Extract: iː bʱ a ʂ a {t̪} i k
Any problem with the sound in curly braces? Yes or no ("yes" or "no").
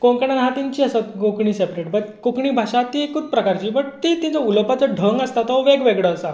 no